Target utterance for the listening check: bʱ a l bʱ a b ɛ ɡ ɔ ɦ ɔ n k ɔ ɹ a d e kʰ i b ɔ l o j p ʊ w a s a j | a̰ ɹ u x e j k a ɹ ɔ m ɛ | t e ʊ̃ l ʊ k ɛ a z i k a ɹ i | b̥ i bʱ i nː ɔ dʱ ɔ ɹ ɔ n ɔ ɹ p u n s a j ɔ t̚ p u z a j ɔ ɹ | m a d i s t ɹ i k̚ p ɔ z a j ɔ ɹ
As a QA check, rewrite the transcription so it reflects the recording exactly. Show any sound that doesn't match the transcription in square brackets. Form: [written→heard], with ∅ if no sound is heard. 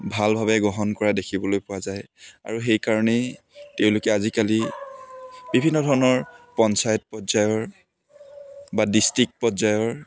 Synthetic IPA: bʱ a l bʱ a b ɛ ɡ ɔ ɦ ɔ n k ɔ ɹ a d e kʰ i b ɔ l o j p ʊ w a [s→z] a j | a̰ ɹ u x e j k a ɹ ɔ [m→n] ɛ | t e ʊ̃ l ʊ k ɛ a z i k a [ɹ→l] i | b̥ i bʱ i nː ɔ dʱ ɔ ɹ ɔ n ɔ ɹ p [u→ɔ] n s a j ɔ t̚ p [u→ɔ] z a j ɔ ɹ | [m→b] a d i s t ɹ i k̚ p ɔ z a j ɔ ɹ